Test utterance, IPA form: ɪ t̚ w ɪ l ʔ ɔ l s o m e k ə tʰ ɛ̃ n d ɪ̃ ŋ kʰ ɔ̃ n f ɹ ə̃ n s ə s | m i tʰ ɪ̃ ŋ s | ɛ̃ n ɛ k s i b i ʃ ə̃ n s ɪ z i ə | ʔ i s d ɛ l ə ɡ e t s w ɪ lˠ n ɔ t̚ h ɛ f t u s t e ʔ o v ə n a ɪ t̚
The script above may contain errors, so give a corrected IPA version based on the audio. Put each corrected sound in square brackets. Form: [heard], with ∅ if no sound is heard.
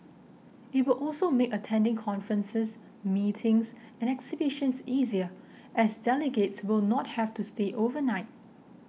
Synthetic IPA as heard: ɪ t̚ w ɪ l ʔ ɔ l s o m e k ə tʰ ɛ̃ n d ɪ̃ ŋ kʰ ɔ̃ n f ɹ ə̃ n s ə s | m i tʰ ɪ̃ ŋ s | ɛ̃ n ɛ k s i b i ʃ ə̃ n s [i] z i ə | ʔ [ɛ] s d ɛ l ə ɡ e t s w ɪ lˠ n ɔ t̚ h ɛ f t u s t e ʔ o v ə n a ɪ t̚